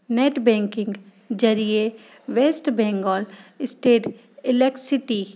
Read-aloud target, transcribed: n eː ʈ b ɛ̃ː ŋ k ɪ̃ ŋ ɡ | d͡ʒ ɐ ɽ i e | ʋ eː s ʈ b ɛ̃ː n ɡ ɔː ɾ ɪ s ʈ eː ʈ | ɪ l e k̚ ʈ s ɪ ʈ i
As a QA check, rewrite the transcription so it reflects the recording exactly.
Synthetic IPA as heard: n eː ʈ b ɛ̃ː ŋ k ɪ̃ ŋ ɡ | d͡ʒ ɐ ɾ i e | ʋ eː s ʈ b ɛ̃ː ŋ ɡ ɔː l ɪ s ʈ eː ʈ | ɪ l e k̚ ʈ s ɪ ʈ i

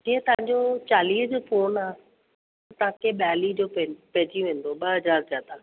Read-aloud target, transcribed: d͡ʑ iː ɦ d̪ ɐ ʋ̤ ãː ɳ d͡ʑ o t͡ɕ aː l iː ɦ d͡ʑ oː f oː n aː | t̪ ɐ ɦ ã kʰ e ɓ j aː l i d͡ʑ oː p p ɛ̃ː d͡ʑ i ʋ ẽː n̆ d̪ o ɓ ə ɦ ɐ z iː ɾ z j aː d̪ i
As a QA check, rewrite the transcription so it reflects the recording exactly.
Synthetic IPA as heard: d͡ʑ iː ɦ t̪ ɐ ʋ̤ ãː ɲ d͡ʑ o t͡ɕ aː l iː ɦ d͡ʑ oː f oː n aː | t̪ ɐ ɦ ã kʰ e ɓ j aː l i d͡ʑ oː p p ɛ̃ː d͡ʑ i ʋ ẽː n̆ d̪ o ɓ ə ɦ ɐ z aː ɾ z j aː d̪ a

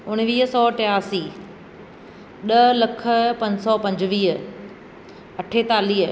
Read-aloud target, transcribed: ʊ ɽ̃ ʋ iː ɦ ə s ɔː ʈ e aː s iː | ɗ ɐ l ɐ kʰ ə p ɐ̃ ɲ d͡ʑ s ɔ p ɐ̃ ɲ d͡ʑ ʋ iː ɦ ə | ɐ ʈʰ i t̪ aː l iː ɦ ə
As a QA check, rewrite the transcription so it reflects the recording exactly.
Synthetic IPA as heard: ʊ ɽ̃ ʋ iː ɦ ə s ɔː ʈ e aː s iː | ɗ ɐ l ɐ kʰ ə p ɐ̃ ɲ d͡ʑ s ɔ p ɐ̃ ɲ d͡ʑ ʋ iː ɦ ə | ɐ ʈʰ e t̪ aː l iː ɦ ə

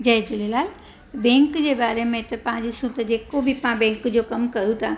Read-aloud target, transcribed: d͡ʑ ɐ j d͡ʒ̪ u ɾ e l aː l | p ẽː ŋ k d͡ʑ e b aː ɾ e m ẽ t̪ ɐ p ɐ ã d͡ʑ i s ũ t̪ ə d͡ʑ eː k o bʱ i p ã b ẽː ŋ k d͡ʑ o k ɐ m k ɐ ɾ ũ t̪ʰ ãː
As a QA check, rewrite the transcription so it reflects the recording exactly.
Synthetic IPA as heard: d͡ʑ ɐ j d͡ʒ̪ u l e l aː l | b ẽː ŋ k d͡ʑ e b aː ɾ e m ẽ t̪ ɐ p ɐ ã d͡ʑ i s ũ t̪ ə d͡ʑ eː k o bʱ i p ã b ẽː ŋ k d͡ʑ o k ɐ m k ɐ ɾ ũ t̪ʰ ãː

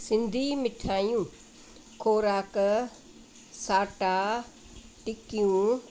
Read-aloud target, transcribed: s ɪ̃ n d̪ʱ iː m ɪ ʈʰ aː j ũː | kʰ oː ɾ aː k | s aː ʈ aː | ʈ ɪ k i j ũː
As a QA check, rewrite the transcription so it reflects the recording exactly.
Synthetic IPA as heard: s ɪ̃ n d̪ʱ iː m ɪ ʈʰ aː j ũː | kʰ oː ɾ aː k | s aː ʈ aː | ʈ ɪ k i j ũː

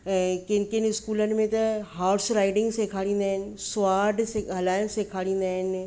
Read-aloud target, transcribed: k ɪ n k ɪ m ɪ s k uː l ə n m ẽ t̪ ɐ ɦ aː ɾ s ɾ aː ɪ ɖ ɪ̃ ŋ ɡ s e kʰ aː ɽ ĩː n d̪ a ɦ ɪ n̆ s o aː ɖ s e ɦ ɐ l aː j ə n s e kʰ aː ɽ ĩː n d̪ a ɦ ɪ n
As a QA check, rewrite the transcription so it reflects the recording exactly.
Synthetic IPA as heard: k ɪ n k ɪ n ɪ s k uː l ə n m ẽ t̪ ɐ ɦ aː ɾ s ɾ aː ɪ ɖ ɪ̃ ŋ ɡ s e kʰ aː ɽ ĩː n d̪ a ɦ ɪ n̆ s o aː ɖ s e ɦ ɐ l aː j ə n s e kʰ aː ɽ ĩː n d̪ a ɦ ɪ n

